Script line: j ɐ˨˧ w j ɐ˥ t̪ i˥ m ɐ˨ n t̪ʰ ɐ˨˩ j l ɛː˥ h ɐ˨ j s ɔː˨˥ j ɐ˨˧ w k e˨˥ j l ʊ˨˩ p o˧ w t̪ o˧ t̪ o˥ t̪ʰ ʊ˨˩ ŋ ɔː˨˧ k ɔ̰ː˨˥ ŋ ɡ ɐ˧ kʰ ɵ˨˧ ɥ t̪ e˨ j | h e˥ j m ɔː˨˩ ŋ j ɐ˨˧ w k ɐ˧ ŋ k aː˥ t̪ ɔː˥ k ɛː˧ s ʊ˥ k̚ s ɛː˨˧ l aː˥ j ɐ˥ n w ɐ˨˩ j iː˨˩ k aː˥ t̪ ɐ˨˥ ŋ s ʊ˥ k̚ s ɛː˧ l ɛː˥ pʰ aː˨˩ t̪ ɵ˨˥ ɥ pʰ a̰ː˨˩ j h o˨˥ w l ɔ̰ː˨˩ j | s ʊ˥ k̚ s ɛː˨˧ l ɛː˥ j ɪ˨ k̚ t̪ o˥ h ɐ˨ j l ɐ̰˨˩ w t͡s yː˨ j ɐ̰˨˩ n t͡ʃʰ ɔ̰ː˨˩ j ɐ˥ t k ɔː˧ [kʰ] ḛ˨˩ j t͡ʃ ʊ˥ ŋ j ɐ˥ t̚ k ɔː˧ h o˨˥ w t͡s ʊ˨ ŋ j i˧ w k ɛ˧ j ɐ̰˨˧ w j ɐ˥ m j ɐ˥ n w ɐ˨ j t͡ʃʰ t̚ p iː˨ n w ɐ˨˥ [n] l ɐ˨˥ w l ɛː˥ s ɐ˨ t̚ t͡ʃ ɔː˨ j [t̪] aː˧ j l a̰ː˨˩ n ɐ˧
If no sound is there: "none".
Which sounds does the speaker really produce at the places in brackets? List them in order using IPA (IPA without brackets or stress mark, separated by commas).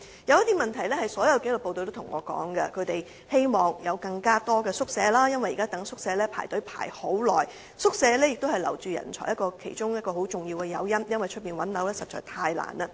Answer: kʰ, n, t̪ʰ